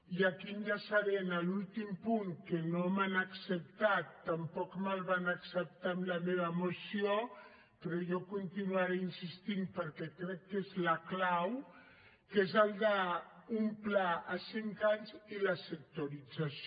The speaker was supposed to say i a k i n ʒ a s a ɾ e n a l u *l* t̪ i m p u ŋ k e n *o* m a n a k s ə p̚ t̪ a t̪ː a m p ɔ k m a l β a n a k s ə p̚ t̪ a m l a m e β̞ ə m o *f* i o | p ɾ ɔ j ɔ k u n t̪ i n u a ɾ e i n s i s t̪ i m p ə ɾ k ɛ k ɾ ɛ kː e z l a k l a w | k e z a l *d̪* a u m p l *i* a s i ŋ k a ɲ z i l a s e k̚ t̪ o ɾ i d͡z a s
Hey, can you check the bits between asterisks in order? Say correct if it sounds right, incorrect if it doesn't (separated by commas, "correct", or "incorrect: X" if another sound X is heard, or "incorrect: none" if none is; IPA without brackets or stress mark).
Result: correct, correct, incorrect: s, correct, incorrect: a